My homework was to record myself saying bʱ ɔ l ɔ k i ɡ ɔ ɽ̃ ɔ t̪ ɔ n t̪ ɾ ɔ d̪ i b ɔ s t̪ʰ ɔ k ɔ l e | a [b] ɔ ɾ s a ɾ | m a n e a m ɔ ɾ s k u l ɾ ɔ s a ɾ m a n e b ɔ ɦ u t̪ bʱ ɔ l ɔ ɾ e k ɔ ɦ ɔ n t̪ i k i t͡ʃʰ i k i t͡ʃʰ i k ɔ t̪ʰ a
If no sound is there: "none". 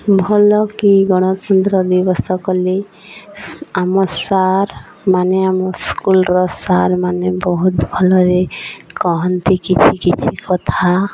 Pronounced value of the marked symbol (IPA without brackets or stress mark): m